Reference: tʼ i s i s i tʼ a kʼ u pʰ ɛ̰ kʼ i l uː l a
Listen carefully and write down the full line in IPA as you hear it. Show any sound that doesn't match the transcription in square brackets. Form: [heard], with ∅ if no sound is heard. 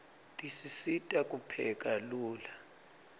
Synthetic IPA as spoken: tʼ i s i s i tʼ a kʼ u pʰ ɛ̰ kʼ [a] l uː l a